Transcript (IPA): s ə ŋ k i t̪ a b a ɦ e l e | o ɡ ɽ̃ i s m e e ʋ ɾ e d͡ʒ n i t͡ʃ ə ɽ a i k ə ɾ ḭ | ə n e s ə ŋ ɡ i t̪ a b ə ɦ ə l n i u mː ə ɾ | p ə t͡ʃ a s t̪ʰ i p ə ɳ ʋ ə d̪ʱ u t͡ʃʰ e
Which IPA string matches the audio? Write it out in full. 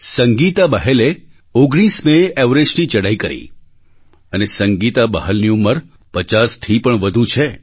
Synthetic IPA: s ə ŋ ɡ i t̪ a b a ɦ e l e | o ɡ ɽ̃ i s m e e ʋ ɾ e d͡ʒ n i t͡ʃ ə ɽ a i k ə ɾ ḭ | ə n e s ə ŋ ɡ i t̪ a b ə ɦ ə l n i u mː ə ɾ | p ə t͡ʃ a s t̪ʰ i p ə ɳ ʋ ə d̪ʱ u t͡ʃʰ e